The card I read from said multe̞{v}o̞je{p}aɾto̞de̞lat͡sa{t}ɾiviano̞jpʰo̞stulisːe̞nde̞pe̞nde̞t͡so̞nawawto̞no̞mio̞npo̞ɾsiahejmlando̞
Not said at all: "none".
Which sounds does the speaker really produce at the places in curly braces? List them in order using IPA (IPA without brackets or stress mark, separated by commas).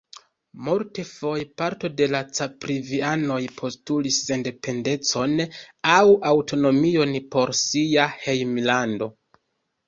f, p, p